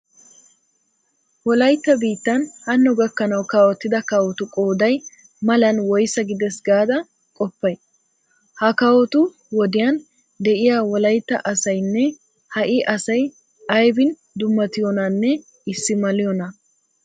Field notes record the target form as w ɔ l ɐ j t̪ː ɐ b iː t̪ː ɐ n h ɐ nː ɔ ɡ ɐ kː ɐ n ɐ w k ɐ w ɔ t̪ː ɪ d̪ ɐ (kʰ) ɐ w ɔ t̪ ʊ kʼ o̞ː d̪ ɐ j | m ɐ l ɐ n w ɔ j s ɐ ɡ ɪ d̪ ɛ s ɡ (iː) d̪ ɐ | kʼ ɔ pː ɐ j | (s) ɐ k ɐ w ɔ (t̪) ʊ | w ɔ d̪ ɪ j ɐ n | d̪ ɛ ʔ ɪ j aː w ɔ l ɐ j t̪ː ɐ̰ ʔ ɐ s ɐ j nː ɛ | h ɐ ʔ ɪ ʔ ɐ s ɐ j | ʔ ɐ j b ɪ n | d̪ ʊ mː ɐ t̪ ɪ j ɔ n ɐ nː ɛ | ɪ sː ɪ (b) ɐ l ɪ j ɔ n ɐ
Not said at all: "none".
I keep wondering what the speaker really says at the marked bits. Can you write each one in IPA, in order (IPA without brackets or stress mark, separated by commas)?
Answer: k, aː, h, t̪, m